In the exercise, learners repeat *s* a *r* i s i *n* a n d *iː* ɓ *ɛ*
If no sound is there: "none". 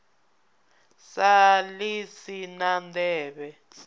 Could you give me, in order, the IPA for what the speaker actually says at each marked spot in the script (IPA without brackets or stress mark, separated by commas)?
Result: s, l, n, ɛː, ɛ